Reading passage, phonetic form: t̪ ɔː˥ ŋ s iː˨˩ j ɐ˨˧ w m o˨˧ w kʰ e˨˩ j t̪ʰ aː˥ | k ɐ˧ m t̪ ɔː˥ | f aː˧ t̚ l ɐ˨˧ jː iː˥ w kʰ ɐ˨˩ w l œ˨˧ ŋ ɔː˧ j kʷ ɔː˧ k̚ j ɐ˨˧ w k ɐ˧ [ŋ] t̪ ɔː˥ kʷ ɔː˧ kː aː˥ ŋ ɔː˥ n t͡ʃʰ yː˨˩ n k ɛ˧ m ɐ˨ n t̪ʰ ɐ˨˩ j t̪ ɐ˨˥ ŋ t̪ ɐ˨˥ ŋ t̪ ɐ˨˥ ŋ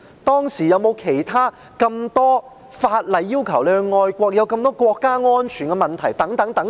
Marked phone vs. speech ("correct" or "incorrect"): incorrect